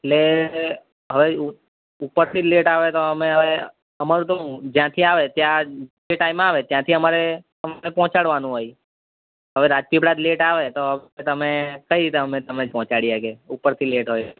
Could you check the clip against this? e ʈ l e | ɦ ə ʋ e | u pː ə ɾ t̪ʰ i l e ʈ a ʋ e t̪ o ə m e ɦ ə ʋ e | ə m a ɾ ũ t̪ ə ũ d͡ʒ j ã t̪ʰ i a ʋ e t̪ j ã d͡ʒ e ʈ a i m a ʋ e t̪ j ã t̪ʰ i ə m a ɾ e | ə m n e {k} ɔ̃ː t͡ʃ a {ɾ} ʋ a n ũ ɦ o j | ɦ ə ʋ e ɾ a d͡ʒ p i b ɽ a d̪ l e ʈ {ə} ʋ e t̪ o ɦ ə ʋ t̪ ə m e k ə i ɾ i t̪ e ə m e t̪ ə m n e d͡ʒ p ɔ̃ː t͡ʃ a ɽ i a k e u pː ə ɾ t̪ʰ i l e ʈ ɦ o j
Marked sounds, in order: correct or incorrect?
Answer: incorrect, incorrect, incorrect

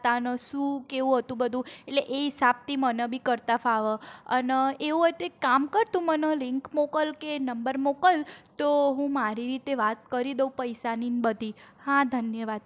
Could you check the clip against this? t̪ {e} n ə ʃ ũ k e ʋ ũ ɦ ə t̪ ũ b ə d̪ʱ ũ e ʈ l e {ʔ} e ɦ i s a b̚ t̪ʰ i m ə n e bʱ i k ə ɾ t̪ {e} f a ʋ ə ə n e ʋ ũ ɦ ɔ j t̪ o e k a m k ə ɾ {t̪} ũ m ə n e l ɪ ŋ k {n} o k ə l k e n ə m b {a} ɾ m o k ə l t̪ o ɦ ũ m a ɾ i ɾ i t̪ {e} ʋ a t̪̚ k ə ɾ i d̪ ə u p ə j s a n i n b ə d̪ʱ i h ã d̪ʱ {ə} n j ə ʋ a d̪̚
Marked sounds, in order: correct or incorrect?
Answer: incorrect, correct, incorrect, correct, incorrect, incorrect, correct, correct

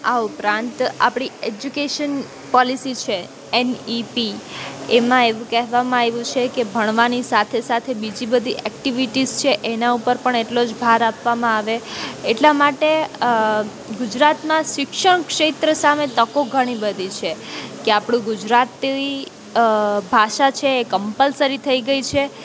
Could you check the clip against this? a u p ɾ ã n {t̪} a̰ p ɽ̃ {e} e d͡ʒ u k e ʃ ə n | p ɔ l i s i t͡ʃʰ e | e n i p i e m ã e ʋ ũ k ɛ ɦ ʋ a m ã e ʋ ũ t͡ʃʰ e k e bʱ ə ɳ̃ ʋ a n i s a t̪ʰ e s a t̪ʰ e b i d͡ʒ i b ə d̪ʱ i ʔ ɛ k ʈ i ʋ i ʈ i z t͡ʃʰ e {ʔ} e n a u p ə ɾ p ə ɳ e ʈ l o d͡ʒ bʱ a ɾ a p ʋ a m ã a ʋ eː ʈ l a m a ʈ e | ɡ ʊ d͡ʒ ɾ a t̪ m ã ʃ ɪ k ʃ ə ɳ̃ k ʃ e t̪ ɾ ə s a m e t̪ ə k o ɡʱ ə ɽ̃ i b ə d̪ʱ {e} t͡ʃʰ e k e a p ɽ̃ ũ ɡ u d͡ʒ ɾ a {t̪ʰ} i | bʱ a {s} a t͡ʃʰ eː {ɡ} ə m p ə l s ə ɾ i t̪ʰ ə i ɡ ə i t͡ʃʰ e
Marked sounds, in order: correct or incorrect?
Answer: correct, incorrect, correct, incorrect, incorrect, incorrect, incorrect

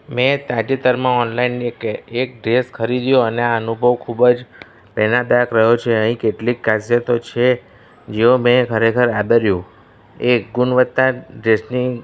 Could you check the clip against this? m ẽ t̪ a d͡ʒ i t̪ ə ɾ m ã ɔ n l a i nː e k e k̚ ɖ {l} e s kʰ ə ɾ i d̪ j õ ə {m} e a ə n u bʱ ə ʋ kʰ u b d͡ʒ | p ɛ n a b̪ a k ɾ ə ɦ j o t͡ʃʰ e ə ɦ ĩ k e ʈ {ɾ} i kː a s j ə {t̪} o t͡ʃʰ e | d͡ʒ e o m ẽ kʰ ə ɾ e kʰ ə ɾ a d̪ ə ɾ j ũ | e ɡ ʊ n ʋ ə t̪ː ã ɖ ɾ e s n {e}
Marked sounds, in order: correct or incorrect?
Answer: incorrect, incorrect, incorrect, correct, incorrect

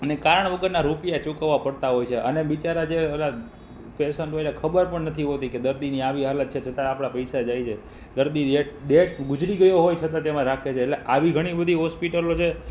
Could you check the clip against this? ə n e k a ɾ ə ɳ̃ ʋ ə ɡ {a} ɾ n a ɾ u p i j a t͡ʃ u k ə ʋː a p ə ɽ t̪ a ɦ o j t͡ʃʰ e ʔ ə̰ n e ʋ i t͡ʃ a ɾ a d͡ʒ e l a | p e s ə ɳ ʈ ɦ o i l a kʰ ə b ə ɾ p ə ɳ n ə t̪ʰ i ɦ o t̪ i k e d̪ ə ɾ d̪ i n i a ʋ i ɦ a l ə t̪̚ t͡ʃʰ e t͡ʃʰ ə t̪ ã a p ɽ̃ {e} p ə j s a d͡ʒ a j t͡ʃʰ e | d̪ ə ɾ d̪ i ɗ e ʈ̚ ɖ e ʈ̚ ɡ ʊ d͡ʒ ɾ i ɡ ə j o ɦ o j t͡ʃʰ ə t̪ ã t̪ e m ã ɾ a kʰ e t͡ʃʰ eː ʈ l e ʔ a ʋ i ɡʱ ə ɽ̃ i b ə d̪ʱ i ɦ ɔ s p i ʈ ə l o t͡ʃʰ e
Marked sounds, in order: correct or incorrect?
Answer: incorrect, incorrect

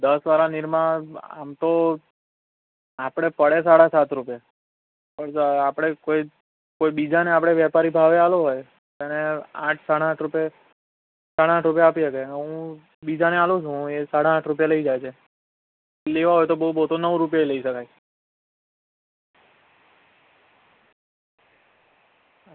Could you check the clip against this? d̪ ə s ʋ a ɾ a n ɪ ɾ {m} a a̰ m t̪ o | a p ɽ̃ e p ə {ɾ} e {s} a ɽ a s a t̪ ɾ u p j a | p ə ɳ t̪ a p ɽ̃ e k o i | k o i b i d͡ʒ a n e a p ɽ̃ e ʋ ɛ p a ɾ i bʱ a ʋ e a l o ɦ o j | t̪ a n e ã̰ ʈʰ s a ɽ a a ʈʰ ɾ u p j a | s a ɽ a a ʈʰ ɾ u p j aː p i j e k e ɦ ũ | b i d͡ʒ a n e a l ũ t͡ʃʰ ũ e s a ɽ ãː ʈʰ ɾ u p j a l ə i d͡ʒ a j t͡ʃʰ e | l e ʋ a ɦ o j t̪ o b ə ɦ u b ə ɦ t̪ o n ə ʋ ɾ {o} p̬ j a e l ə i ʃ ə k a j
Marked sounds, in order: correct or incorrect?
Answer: correct, incorrect, correct, incorrect

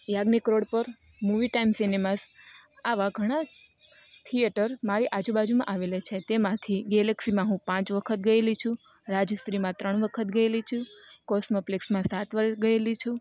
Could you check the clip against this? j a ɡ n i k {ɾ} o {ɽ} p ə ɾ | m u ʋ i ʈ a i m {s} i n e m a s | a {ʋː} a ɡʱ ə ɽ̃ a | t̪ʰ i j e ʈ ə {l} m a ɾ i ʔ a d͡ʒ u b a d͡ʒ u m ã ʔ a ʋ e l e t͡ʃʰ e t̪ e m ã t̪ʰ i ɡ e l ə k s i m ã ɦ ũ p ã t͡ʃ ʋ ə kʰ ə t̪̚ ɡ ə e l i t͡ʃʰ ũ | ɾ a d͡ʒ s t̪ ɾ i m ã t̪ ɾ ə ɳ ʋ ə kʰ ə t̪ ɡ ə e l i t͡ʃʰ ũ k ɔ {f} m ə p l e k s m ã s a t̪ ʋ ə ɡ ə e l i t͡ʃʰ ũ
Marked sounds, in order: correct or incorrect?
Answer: correct, correct, correct, incorrect, incorrect, incorrect

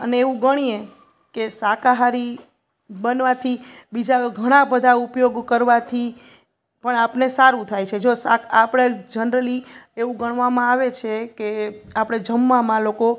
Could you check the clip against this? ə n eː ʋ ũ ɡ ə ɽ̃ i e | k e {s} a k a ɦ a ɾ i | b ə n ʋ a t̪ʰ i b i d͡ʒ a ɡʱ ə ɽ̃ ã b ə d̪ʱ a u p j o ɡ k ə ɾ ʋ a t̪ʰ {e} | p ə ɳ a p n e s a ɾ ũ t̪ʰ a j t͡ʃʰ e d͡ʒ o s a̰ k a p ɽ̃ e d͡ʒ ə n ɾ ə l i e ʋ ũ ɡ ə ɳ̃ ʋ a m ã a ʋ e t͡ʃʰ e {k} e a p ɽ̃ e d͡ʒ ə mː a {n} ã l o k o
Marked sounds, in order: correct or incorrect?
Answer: correct, incorrect, correct, incorrect

